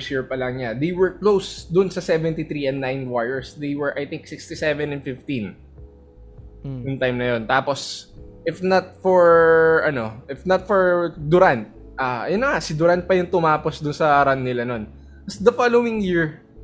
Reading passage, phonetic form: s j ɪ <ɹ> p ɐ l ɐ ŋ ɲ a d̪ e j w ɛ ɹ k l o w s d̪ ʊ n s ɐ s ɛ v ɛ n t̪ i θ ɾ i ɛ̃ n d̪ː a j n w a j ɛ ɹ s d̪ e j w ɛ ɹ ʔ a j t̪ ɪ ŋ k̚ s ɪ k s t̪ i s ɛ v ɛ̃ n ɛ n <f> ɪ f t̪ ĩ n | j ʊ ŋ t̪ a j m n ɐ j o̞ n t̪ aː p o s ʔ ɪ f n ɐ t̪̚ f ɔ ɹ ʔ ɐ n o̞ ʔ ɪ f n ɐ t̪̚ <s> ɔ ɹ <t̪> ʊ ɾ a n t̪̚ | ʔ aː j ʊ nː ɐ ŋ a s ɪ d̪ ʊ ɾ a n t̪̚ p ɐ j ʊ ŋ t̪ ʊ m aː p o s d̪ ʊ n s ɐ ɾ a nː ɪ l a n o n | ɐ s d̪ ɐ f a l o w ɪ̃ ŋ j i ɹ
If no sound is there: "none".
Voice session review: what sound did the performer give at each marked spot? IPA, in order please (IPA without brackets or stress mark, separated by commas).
ɹ, f, f, d̪